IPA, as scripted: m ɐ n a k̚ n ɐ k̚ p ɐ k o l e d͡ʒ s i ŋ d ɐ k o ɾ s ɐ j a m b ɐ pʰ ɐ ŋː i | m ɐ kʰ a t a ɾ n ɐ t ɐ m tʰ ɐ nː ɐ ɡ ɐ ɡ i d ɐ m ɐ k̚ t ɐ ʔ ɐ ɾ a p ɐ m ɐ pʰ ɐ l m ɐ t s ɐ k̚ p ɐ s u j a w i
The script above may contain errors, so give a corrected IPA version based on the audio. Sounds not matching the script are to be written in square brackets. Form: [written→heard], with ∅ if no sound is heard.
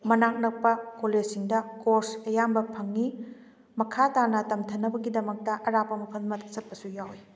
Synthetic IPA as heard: m ɐ n a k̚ n ɐ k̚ p ɐ k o l e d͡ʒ s i ŋ d ɐ k o ɾ s ɐ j a m b ɐ pʰ ɐ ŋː i | m ɐ kʰ a t a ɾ n ɐ t ɐ m tʰ ɐ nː ɐ [ɡ→b] ɐ ɡ i d ɐ m ɐ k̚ t ɐ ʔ ɐ ɾ a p ɐ m ɐ pʰ ɐ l m ɐ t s ɐ [k̚→t̚] p ɐ s u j a w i